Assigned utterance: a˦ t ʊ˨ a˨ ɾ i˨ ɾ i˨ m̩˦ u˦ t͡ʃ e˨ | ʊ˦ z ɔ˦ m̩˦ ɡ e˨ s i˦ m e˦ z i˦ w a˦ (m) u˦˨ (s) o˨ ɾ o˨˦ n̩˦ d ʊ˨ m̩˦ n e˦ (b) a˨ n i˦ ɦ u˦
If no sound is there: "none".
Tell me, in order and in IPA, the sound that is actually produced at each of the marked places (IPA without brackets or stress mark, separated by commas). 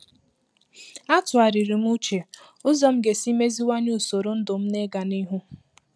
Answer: ɲ, s, ɡ